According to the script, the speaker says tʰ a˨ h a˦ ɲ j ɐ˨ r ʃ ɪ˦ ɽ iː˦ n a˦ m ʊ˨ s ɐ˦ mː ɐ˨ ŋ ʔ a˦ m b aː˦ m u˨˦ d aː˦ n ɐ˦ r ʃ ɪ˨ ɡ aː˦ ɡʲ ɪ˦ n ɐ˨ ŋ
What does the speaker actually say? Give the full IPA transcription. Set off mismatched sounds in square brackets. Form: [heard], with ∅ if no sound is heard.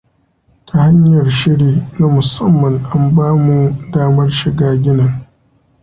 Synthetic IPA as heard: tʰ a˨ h a˦ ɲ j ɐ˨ r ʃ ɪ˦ ɽ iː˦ n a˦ m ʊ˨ s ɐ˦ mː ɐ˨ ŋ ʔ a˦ m b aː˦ m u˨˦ d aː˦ [m] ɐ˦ r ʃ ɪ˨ ɡ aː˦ ɡʲ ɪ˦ n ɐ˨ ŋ

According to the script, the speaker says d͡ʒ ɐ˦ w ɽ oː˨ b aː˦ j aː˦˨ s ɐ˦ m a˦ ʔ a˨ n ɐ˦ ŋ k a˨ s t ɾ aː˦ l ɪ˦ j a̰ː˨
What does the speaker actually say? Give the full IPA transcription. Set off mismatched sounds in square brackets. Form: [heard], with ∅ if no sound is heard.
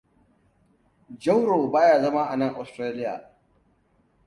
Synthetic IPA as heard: d͡ʒ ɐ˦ w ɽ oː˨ b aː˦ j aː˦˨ [z] ɐ˦ m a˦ ʔ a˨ n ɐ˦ ŋ [ʔ] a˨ s t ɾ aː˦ l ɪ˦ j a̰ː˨

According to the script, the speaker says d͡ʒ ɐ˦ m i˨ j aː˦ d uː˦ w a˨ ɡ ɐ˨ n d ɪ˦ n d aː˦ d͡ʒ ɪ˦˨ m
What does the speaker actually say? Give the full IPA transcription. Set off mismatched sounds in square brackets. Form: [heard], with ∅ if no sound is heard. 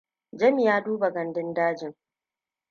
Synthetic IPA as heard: d͡ʒ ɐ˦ m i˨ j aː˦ d uː˦ [b] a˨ ɡ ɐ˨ n d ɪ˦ n d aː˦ d͡ʒ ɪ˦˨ [ŋ]

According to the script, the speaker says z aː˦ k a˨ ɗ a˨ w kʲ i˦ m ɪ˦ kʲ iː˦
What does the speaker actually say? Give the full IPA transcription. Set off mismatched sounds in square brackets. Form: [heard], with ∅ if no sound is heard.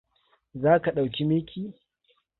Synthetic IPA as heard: z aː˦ k a˨ ɗ a˨ w kʲ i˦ m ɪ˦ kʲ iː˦

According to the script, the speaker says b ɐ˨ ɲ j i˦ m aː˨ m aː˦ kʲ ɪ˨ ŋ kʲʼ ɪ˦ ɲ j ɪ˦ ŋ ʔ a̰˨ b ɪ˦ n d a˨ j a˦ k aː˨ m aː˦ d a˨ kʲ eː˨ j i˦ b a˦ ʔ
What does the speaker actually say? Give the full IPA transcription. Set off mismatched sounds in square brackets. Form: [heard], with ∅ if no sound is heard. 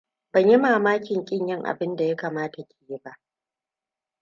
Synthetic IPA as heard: b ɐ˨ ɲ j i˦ m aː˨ m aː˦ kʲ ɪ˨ ŋ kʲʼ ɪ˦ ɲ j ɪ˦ ŋ ʔ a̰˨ b ɪ˦ n d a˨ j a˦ k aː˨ m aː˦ [t] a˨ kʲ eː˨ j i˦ b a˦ ʔ

